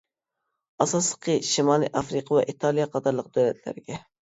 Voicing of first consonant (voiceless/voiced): voiceless